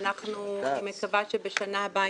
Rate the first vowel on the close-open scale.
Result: open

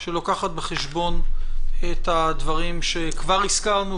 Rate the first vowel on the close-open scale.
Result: mid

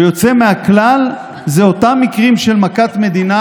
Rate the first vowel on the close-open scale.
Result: mid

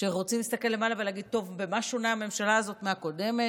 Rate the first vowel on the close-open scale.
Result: mid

